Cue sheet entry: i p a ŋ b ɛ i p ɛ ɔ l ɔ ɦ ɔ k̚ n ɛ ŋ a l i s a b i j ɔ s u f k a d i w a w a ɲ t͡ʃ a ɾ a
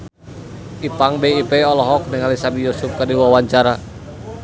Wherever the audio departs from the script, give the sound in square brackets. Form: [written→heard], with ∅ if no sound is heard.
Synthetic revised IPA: i p a ŋ b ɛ i p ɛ ɔ l ɔ ɦ ɔ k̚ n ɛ ŋ a l i s a b i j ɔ s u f k a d i w a w a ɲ t͡ʃ a ɾ a